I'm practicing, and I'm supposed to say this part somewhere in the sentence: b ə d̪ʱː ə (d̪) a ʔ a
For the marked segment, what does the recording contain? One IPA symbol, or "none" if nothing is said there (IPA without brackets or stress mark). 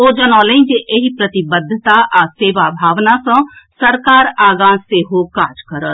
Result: t̪